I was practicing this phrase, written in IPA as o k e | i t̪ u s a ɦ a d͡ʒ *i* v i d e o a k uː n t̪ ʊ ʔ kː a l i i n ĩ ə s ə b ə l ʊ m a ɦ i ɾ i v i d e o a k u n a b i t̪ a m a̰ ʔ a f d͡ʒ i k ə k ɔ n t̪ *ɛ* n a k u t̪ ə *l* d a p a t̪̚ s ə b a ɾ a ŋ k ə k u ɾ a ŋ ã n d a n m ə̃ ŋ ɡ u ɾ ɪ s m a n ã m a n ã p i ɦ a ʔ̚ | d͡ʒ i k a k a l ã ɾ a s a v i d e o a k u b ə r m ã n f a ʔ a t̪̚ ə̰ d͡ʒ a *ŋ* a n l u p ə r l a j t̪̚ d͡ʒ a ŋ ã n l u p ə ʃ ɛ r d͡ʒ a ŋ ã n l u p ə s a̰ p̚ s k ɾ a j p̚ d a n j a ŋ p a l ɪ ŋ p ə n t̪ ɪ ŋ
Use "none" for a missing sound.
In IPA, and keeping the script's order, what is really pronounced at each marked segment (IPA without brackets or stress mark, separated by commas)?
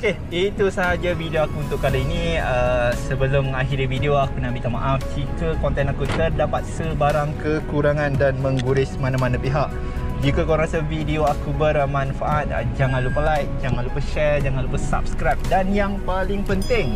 a, ɛ, r, ŋ